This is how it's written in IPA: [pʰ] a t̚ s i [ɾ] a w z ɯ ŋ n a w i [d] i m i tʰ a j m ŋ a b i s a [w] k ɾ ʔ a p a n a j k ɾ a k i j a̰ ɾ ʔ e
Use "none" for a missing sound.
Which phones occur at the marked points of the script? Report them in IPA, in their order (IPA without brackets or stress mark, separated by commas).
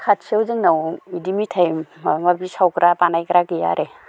kʰ, none, d, w